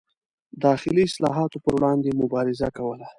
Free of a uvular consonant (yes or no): yes